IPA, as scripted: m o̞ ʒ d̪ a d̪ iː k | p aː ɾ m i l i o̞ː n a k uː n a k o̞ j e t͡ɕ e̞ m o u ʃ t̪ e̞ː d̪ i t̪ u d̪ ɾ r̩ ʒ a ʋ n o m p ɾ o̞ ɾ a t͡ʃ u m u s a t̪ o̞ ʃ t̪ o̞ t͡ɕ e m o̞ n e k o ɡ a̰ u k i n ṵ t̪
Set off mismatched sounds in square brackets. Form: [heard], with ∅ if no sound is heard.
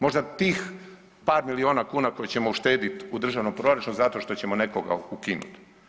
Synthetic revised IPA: m o̞ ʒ d̪ a [t̪] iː [x] | p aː ɾ m i l i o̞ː n a k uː n a k o̞ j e t͡ɕ e̞ m o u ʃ t̪ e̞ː d̪ i t̪ u d̪ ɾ r̩ ʒ a ʋ n o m p ɾ o̞ ɾ a t͡ʃ u [n] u [z] a t̪ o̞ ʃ t̪ o̞ t͡ɕ e m o̞ n e k o ɡ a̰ u k i n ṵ t̪